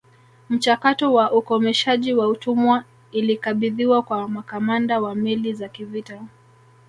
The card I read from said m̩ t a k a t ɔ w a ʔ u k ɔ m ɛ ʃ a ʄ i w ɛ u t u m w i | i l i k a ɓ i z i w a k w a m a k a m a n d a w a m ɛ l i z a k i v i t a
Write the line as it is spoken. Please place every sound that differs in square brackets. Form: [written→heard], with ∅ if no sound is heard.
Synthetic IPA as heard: m̩ [t→t͡ʃ] a k a t ɔ w a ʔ u k ɔ m ɛ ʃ a ʄ i w [ɛ→a] u t u m w [i→a] | i l i k a ɓ i [z→ð] i w a k w a m a k a m a n d a w a m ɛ l i z a k i v i t a